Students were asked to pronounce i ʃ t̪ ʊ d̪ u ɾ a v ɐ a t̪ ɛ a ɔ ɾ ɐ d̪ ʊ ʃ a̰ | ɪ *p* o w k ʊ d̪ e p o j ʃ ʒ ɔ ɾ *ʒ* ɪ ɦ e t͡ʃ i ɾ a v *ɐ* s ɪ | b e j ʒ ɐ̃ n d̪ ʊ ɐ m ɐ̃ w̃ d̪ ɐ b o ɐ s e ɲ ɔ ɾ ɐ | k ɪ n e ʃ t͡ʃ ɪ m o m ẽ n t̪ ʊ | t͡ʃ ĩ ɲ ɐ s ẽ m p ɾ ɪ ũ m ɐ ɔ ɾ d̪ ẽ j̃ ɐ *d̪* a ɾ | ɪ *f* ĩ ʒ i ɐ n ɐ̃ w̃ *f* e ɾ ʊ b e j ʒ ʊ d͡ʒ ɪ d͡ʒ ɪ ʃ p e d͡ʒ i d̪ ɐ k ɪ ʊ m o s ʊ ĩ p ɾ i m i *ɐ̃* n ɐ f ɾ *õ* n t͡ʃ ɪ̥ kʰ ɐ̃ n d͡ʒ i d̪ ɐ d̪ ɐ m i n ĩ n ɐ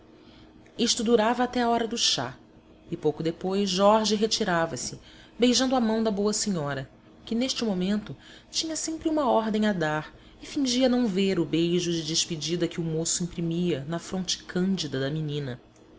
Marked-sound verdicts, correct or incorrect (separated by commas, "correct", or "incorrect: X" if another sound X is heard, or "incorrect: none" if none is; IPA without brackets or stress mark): correct, correct, correct, correct, correct, incorrect: v, incorrect: ɐ, correct